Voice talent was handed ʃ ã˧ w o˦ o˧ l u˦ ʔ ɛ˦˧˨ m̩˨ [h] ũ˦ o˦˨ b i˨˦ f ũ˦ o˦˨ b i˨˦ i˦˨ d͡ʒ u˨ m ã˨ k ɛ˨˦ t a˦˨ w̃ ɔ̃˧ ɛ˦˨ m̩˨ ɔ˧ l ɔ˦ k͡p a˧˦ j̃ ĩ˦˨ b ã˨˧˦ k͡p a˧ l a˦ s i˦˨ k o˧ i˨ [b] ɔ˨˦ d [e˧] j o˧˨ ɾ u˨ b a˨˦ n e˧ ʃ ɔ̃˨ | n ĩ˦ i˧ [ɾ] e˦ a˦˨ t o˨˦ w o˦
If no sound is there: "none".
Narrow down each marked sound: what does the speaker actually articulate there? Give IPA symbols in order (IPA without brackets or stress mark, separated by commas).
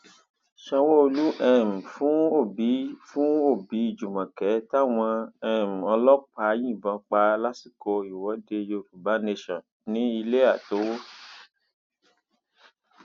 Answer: f, w, e˧, l